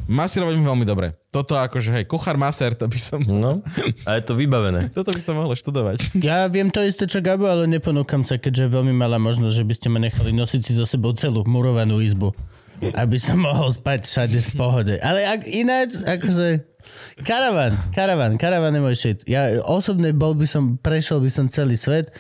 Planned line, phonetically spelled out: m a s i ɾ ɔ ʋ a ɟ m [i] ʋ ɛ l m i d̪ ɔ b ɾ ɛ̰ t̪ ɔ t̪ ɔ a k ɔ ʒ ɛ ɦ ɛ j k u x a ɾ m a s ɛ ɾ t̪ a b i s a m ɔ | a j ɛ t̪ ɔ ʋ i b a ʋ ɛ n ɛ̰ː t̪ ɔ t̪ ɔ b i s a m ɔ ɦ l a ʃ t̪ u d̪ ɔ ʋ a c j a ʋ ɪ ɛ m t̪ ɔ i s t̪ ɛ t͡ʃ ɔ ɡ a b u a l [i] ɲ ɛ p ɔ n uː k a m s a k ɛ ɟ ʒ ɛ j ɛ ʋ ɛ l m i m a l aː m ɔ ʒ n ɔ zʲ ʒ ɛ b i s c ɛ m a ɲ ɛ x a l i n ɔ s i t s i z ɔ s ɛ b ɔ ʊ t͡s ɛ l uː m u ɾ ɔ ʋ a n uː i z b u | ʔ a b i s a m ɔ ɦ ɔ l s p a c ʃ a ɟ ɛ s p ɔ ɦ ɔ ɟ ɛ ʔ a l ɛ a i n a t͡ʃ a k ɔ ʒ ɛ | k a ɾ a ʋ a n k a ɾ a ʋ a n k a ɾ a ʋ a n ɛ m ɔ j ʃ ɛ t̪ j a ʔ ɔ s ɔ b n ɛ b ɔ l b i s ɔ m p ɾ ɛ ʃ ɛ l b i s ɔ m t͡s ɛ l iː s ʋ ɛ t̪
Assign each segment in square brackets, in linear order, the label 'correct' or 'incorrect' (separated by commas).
correct, incorrect